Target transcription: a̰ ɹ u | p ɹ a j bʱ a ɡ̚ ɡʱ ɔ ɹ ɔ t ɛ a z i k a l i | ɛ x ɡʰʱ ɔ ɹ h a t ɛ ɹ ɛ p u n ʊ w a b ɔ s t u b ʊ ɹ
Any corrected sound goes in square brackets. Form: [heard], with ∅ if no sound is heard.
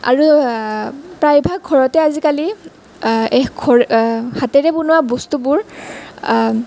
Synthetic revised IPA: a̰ ɹ u | p ɹ a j bʱ a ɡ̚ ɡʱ ɔ ɹ ɔ t ɛ a z i k a l i | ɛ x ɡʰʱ ɔ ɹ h a t ɛ ɹ ɛ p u n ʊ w a b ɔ s t u b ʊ ɹ